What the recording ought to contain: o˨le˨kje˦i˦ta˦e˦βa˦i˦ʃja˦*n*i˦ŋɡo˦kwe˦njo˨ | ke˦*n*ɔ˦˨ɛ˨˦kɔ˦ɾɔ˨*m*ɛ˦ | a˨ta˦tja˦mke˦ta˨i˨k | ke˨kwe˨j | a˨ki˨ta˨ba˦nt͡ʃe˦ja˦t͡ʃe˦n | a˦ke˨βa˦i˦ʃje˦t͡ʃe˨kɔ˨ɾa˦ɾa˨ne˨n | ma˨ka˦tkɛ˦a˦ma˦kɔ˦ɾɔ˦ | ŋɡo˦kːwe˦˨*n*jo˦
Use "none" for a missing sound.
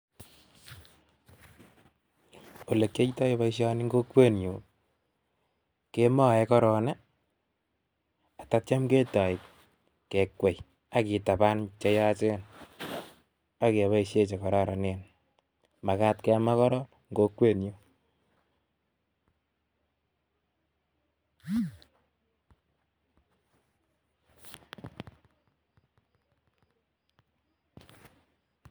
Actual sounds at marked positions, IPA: n, m, n, n

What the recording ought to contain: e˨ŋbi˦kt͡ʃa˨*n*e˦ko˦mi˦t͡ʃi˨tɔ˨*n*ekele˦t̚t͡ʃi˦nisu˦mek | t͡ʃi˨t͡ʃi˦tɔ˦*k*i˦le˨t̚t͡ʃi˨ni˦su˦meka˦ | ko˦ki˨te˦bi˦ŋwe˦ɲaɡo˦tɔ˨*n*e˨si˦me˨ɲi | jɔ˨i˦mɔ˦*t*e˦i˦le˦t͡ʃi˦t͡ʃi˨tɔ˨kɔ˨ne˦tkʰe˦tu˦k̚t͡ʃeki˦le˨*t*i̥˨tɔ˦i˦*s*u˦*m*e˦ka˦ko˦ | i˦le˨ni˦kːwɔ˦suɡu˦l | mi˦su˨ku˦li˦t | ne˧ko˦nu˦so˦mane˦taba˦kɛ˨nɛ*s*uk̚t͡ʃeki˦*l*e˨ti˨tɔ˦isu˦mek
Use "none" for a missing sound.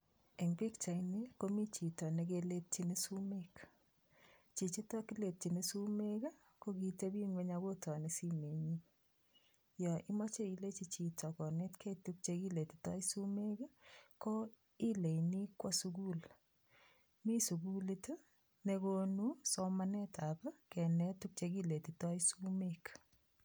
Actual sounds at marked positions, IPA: n, n, k, n, t͡ʃ, t, s, m, t, l

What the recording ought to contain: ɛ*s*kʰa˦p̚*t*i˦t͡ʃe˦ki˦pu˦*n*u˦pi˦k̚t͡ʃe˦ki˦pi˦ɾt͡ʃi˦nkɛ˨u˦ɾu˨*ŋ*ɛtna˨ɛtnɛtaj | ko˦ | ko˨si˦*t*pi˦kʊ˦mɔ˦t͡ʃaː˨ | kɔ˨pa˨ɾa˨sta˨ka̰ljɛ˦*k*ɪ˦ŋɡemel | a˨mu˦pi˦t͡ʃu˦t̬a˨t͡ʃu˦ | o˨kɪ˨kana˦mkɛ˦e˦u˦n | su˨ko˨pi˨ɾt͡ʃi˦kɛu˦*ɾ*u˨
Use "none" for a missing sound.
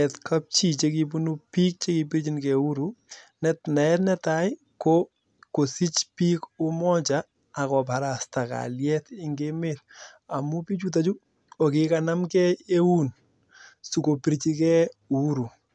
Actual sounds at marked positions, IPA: t, t͡ʃ, n, n, t͡ʃ, t, ɾ

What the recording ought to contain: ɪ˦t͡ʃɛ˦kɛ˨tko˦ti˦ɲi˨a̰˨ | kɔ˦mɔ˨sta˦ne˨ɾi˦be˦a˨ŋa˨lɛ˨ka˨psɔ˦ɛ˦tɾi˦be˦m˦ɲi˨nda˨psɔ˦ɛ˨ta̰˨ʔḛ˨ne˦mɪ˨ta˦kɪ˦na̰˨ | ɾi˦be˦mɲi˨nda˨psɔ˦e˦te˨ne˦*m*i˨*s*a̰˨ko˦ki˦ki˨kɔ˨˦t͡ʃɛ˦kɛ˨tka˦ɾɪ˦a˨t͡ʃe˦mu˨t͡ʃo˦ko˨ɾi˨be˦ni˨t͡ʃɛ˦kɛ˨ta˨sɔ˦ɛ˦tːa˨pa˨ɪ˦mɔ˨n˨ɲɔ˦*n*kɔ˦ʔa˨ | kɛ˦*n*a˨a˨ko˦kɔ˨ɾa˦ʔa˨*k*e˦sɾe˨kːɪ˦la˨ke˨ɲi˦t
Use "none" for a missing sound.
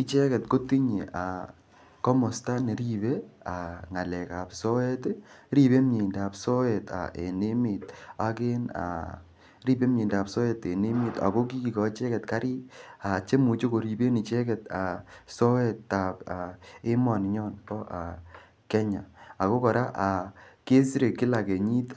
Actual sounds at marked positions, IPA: m, t, n, ɲ, k

